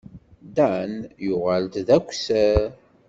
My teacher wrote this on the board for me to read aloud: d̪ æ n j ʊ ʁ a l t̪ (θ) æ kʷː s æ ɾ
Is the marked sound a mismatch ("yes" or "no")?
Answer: yes